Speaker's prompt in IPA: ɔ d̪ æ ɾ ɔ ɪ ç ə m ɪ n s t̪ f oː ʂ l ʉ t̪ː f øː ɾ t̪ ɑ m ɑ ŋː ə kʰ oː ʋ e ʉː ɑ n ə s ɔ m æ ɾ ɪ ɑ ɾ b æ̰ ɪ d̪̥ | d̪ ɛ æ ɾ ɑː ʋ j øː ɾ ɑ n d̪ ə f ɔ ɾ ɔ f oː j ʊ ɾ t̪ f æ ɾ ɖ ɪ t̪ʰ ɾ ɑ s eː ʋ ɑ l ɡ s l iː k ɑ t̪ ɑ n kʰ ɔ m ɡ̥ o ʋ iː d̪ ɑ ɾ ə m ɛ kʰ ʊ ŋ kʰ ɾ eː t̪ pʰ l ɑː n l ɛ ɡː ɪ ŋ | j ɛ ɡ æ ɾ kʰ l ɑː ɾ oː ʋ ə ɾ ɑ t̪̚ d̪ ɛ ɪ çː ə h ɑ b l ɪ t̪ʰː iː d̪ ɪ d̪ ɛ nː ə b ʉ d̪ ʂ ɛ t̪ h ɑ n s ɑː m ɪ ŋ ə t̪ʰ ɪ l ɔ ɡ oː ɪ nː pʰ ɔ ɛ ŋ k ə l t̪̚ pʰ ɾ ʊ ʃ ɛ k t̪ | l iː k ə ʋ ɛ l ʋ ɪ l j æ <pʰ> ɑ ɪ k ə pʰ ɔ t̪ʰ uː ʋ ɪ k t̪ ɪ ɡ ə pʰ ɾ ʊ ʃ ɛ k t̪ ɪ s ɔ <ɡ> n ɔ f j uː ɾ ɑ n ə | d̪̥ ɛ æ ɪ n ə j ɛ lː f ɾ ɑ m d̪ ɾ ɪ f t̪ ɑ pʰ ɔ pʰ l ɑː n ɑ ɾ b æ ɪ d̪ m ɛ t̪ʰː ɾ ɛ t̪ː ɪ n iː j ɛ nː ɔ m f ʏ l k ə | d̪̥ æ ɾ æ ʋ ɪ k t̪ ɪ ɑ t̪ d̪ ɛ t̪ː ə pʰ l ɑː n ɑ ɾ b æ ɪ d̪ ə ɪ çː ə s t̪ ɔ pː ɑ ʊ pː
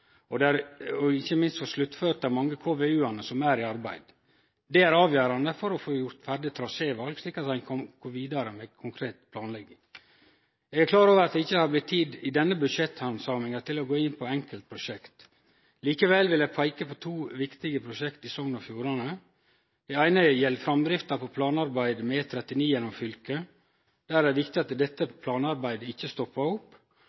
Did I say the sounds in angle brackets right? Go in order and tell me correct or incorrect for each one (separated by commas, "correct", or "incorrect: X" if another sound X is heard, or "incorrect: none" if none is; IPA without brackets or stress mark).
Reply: correct, incorrect: ŋ